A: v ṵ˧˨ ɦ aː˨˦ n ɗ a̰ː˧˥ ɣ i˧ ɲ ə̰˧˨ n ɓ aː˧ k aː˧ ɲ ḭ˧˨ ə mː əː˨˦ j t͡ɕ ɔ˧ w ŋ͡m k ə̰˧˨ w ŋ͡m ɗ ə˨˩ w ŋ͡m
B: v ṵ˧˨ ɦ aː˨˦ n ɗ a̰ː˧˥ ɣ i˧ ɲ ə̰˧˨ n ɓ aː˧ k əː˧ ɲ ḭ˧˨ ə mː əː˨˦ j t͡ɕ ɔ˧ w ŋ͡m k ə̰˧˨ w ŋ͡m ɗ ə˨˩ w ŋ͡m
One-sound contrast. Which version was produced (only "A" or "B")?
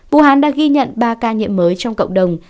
A